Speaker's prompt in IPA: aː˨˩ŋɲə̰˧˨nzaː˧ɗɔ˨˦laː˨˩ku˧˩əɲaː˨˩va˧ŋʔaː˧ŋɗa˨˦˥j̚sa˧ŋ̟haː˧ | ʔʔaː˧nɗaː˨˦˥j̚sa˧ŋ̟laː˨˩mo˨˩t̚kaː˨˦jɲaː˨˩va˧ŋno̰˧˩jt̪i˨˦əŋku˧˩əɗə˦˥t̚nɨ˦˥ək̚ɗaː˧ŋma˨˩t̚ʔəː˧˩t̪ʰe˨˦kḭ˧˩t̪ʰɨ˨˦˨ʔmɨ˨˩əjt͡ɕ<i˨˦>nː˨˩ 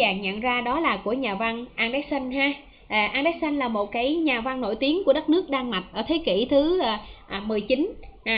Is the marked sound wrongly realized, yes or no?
no